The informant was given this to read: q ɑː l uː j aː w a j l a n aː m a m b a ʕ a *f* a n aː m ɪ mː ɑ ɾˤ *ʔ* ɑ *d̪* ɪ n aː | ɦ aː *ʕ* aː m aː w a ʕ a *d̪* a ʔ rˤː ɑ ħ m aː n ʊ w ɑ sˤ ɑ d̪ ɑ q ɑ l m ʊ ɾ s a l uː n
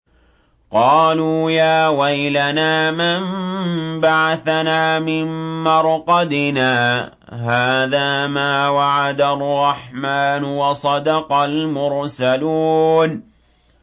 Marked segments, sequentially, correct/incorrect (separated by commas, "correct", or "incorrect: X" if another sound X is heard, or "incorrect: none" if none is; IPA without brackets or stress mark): incorrect: θ, incorrect: q, correct, incorrect: ð, correct